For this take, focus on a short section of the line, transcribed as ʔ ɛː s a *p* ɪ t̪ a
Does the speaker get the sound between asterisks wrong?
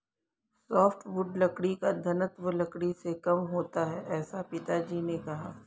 no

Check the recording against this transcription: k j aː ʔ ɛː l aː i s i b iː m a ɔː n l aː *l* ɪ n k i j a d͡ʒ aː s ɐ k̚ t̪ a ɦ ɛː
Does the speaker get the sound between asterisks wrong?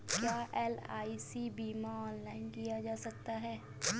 yes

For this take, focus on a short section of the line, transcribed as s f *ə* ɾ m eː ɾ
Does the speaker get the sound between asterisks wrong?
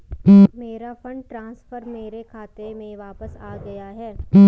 no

